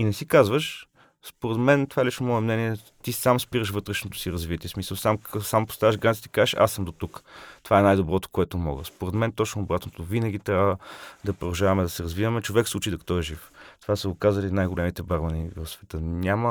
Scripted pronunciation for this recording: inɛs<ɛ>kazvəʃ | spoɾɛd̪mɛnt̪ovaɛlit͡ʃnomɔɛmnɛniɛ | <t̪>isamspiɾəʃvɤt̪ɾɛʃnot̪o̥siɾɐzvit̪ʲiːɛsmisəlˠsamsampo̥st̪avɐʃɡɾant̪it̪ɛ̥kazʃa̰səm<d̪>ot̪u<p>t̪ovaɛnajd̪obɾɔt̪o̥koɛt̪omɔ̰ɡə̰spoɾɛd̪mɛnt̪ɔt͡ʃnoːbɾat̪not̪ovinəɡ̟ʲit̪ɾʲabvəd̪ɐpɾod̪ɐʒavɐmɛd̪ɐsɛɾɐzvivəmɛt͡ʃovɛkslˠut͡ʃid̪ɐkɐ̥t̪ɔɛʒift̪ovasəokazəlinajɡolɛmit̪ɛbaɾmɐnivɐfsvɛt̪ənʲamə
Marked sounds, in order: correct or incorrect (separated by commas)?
incorrect, correct, correct, incorrect